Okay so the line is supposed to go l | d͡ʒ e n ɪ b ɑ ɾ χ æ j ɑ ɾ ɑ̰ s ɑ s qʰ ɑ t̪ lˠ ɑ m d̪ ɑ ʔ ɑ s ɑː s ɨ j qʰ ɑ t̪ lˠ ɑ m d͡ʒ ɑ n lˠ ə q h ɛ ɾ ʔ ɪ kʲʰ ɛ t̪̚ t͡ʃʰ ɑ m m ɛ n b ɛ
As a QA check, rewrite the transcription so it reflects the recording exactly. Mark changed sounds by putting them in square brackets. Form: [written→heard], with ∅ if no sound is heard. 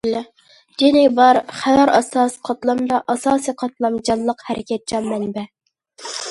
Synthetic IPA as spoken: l | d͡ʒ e n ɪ b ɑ ɾ χ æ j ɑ ɾ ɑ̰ s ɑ s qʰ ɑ t̪ lˠ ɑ m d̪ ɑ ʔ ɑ s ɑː s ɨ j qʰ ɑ t̪ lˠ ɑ m d͡ʒ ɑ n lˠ ə q h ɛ ɾ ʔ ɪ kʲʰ ɛ t̪̚ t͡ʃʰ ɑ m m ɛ n b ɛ